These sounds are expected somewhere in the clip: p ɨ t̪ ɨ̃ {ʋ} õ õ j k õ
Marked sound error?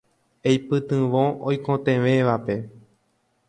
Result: no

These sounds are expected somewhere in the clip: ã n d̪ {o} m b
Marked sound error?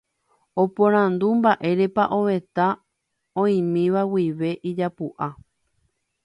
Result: yes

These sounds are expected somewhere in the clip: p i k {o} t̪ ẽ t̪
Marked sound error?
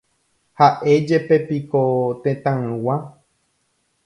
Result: no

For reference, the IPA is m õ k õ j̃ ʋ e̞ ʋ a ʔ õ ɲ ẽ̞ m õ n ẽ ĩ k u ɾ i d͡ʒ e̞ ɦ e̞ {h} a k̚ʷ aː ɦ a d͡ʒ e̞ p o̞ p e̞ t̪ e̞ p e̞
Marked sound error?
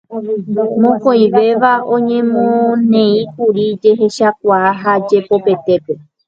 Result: yes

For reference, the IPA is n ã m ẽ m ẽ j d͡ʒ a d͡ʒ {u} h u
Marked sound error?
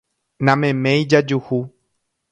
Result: no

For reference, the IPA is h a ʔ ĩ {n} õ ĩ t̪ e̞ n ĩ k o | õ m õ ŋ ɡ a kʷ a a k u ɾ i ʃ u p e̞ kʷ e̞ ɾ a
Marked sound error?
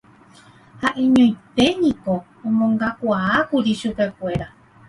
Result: yes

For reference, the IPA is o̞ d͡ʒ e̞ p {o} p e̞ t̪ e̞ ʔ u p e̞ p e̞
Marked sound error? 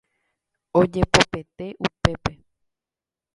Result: no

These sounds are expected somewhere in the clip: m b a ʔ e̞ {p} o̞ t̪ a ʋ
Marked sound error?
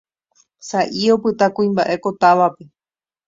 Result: yes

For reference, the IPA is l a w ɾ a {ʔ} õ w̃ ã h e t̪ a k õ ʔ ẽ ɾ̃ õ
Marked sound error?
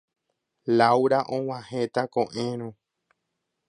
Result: no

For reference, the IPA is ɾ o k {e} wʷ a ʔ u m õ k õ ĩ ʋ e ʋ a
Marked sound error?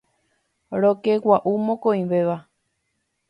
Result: no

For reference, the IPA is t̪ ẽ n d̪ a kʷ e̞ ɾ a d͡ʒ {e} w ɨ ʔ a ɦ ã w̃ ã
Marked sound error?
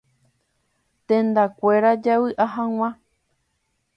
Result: yes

